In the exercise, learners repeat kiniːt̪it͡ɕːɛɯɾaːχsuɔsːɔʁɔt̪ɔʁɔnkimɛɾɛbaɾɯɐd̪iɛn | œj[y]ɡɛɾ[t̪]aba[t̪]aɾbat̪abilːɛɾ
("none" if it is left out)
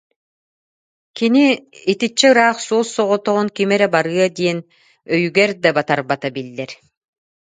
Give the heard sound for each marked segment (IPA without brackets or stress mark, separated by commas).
y, d̪, t̪